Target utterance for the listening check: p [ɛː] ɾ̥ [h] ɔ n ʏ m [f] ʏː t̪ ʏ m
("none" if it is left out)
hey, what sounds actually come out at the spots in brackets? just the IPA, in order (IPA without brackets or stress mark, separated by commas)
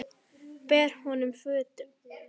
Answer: ɛː, h, f